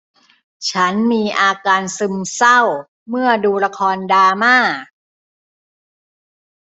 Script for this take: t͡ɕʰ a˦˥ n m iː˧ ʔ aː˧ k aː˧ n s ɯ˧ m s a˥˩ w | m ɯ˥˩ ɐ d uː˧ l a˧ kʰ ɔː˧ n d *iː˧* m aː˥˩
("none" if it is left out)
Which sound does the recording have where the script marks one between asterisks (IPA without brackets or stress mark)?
aː˧